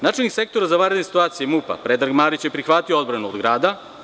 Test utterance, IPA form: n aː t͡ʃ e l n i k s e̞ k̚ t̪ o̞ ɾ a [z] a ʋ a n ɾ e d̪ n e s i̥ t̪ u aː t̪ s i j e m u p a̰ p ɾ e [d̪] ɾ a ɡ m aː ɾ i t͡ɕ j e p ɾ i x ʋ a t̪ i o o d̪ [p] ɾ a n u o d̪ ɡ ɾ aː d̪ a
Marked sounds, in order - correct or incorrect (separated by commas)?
correct, correct, incorrect